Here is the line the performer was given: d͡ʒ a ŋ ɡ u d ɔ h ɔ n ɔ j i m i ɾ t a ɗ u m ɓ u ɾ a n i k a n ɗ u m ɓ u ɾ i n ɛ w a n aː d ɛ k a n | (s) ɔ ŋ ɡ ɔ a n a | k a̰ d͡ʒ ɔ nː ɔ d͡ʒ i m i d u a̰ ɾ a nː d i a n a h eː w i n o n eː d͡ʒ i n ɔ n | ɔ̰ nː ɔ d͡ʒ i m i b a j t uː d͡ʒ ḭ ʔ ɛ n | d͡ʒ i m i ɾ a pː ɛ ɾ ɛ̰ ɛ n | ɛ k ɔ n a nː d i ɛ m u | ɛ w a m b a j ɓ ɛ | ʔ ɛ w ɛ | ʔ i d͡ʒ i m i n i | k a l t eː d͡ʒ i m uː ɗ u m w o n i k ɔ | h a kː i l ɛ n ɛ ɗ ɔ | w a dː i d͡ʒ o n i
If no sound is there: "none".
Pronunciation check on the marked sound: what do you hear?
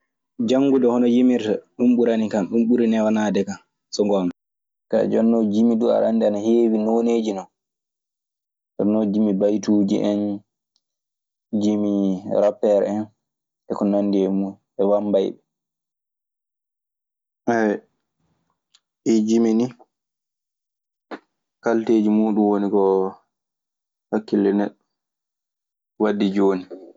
s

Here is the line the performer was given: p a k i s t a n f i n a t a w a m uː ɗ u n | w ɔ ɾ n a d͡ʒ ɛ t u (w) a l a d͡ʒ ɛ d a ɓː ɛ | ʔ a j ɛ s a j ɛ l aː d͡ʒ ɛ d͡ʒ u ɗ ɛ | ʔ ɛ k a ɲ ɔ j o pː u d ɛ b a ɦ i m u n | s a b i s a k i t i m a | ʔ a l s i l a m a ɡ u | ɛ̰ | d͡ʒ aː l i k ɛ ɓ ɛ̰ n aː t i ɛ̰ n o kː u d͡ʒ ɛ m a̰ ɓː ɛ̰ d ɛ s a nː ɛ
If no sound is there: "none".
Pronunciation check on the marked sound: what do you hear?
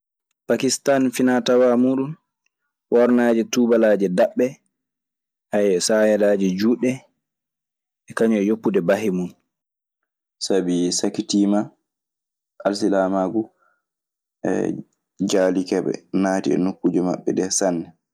b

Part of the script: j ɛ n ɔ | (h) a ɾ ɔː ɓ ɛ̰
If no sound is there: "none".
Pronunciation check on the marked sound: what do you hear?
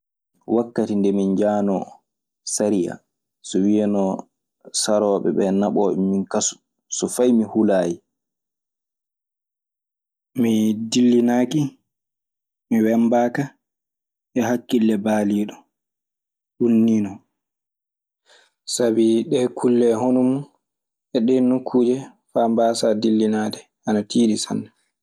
s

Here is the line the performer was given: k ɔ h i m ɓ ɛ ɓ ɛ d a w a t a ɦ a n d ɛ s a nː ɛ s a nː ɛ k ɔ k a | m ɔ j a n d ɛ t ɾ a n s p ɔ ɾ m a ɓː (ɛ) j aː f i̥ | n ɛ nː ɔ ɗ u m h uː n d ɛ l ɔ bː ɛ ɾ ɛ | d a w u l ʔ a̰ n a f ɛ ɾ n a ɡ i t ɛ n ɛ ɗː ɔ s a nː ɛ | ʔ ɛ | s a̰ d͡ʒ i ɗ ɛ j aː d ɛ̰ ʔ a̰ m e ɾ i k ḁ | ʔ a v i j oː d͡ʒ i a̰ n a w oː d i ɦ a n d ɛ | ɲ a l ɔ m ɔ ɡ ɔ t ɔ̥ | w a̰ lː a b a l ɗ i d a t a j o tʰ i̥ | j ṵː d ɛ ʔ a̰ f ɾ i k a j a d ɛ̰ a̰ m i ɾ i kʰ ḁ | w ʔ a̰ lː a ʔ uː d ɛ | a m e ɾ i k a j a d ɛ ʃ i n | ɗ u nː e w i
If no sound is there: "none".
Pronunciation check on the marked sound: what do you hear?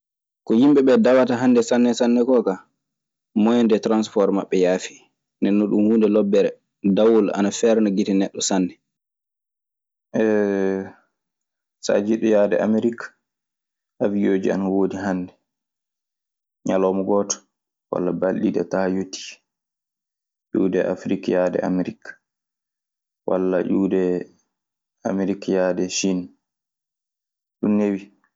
ɛ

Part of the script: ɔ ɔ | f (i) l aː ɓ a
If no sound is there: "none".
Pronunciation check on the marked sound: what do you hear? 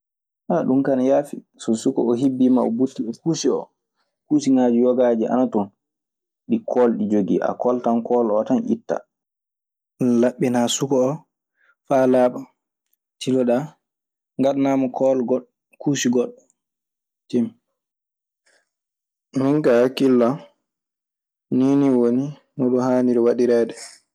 a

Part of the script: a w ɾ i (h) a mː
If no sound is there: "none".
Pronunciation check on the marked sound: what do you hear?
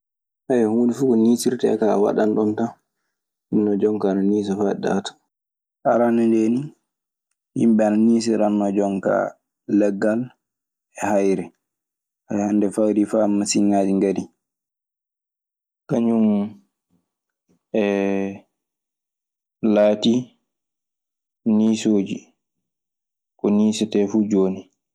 f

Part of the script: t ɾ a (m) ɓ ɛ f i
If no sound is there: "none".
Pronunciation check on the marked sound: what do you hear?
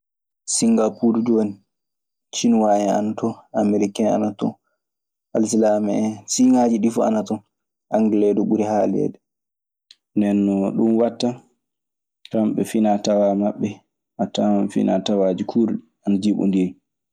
m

